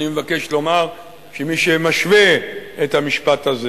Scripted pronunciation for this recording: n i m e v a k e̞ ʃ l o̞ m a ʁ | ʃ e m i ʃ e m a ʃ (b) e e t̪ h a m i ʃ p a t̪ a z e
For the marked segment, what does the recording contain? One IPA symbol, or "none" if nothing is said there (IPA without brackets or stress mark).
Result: v